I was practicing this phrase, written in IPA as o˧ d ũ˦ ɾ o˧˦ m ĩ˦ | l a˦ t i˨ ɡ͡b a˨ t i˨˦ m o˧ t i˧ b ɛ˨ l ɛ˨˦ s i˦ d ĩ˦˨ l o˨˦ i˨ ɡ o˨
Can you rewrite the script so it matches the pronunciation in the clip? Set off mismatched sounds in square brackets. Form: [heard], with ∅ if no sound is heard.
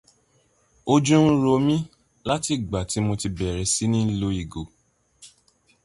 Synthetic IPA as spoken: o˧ [d͡ʒ] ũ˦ ɾ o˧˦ m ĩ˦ | l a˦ t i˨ ɡ͡b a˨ t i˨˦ m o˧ t i˧ b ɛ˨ [ɾ] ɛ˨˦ s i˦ [n] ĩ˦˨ l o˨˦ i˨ ɡ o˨